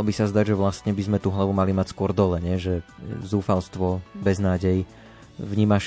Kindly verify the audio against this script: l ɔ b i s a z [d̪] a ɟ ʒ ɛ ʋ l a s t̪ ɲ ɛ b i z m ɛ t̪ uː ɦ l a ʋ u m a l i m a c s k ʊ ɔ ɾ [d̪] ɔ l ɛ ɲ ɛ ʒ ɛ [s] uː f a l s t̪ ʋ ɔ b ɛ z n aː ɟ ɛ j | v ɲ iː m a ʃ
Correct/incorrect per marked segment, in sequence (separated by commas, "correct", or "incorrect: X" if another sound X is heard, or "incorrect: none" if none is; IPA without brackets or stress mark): correct, correct, incorrect: z